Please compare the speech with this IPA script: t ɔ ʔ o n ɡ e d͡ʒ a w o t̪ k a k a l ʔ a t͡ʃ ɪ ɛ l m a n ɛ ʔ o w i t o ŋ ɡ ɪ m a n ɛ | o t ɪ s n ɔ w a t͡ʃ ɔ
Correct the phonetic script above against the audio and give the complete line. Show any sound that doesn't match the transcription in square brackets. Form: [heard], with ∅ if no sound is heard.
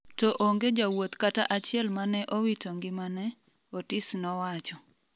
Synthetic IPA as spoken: t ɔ ʔ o [ŋ] ɡ e d͡ʒ a w o t̪ k a [t] a [∅] ʔ a t͡ʃ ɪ ɛ l m a n ɛ ʔ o w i t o ŋ ɡ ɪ m a n ɛ | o t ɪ s n ɔ w a t͡ʃ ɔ